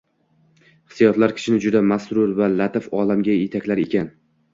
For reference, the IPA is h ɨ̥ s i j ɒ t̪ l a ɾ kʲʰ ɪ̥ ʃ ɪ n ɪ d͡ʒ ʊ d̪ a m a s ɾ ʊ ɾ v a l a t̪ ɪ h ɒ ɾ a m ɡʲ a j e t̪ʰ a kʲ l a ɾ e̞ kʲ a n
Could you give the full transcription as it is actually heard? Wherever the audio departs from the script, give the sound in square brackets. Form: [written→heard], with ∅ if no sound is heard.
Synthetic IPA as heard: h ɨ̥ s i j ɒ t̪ l a ɾ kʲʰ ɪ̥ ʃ ɪ n ɪ d͡ʒ ʊ d̪ a m a s ɾ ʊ ɾ v a l a t̪ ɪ [h→f] ɒ [ɾ→l] a m ɡʲ a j e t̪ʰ a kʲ l a ɾ e̞ kʲ a n